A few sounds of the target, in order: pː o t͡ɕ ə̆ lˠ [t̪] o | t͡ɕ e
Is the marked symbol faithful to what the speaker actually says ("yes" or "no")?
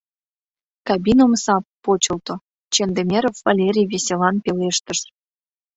yes